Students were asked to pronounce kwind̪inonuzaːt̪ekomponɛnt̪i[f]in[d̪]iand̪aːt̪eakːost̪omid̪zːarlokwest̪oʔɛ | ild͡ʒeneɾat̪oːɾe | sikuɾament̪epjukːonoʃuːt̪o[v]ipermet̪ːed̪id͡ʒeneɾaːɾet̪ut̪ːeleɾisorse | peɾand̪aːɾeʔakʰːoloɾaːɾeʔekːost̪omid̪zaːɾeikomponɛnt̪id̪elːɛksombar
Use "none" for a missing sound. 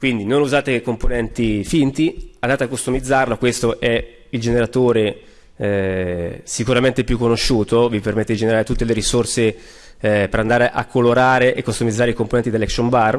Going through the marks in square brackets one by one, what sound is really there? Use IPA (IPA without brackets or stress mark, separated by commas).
f, t̪, v